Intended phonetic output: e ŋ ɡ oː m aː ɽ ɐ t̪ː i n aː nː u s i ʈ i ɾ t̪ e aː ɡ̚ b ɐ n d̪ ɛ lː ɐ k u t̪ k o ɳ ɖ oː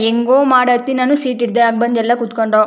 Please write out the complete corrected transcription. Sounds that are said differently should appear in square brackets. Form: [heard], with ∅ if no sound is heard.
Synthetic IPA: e ŋ ɡ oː m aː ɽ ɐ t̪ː i n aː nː u s [iː] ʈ i ɾ [d̪] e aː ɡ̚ b ɐ n d̪ ɛ lː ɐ k u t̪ k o ɳ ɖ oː